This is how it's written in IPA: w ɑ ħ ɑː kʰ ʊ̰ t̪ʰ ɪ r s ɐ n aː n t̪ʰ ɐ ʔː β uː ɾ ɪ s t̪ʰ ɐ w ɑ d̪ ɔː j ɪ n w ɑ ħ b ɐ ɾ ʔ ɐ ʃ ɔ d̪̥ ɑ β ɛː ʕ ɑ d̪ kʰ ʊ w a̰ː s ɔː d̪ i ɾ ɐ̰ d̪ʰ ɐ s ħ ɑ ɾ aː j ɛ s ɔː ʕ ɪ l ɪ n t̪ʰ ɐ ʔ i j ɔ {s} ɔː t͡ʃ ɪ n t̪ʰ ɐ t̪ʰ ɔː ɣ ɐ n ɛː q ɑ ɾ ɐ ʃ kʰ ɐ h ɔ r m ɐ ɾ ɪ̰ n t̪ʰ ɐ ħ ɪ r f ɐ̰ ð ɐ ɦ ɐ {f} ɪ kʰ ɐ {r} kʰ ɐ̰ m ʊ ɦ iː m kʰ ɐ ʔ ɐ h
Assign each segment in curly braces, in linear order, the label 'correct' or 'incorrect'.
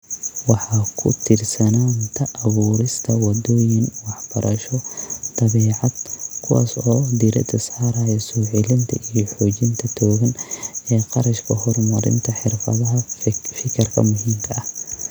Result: incorrect: ħ, correct, correct

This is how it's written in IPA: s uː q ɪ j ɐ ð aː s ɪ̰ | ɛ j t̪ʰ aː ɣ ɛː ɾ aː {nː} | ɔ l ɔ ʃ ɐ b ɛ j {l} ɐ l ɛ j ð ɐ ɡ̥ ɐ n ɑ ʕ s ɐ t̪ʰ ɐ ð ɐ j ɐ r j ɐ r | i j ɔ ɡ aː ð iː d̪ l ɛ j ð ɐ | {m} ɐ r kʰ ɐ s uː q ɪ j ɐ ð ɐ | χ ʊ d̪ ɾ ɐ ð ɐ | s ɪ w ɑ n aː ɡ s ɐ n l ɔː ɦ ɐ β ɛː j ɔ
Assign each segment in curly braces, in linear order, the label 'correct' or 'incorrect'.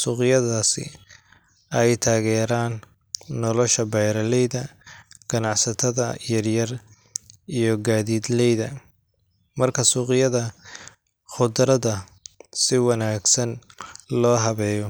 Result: correct, incorrect: ɾ, correct

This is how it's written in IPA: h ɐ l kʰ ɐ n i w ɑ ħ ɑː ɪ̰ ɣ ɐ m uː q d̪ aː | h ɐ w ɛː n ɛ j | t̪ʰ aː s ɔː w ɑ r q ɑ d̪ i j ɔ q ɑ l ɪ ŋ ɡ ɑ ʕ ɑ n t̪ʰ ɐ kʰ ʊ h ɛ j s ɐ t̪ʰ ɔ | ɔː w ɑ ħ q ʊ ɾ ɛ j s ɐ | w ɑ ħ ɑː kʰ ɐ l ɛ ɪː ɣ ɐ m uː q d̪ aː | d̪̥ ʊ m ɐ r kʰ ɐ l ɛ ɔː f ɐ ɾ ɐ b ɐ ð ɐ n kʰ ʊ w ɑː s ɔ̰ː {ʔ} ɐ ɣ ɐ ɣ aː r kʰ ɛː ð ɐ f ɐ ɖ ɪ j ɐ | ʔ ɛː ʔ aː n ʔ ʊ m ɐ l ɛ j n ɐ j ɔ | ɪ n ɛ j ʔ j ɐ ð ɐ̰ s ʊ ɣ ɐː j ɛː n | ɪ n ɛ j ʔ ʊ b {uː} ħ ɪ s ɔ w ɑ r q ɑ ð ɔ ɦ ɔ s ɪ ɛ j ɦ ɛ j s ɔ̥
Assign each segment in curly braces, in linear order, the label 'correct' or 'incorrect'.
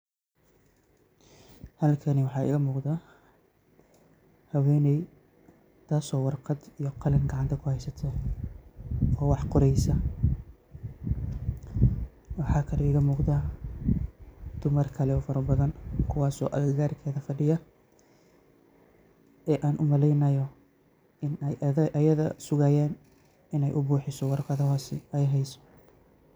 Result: correct, correct

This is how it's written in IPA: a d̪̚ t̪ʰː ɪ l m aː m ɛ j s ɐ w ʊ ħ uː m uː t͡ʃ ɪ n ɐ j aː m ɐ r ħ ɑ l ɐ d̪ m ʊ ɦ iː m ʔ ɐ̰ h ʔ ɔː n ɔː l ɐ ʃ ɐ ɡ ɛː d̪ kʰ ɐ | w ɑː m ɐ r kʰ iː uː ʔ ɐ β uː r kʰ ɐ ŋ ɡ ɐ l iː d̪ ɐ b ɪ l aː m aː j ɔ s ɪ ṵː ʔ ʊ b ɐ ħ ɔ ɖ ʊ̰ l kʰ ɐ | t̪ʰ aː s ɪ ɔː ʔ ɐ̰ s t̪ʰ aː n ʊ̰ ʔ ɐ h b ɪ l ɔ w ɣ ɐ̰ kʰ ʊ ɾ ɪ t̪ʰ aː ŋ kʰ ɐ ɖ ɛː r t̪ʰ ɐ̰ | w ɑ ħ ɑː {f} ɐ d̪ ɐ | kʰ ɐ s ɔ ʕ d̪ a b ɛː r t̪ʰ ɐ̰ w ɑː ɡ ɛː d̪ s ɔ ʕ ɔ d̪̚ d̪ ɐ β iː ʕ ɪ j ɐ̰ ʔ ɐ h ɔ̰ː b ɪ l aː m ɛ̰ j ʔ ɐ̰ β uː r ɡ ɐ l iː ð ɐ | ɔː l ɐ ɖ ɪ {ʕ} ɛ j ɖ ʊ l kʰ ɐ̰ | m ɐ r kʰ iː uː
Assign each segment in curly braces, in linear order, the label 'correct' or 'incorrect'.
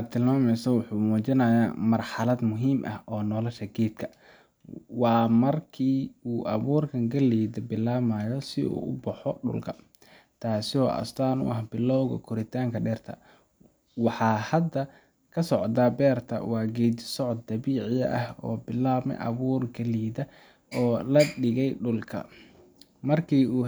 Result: incorrect: h, incorrect: ɣ

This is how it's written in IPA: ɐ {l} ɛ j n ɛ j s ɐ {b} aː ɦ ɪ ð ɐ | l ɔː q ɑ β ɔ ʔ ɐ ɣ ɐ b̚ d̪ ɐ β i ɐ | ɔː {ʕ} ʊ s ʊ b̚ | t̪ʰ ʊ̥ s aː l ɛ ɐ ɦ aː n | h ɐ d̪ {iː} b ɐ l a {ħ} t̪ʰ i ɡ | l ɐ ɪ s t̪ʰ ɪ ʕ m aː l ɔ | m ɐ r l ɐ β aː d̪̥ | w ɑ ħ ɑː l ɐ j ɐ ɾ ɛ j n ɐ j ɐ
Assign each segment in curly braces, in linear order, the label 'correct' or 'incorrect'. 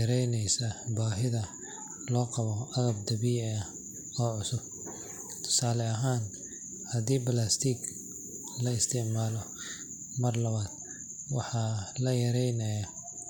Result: incorrect: ɾ, correct, correct, correct, incorrect: s

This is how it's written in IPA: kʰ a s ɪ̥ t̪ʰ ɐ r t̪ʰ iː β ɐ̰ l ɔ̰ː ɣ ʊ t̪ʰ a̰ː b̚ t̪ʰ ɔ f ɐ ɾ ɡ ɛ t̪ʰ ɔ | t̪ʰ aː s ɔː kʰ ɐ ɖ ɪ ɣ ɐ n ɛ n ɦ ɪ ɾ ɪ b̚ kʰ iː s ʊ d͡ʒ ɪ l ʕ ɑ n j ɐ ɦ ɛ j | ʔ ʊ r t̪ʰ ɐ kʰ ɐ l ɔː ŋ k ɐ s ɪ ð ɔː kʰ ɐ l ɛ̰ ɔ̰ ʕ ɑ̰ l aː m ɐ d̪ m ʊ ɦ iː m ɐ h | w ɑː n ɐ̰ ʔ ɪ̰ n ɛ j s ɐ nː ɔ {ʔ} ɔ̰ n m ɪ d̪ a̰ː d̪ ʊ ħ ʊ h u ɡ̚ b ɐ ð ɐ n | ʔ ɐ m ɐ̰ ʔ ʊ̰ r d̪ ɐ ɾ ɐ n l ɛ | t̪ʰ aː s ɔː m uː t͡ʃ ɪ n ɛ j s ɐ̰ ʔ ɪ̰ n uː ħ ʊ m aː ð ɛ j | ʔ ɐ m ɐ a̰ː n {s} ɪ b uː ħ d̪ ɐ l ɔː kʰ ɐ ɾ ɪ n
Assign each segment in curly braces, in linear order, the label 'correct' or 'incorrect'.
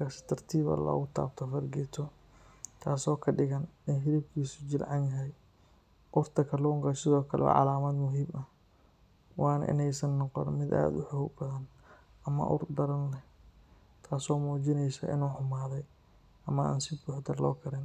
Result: incorrect: q, correct

